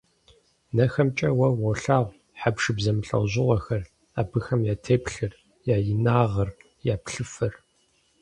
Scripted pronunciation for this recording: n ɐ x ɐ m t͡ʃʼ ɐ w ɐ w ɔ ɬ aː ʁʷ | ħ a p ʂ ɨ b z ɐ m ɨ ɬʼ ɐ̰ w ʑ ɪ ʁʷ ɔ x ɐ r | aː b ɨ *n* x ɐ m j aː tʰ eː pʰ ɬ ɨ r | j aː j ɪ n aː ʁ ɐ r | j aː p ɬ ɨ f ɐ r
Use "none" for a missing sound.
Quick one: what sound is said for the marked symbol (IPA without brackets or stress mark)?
none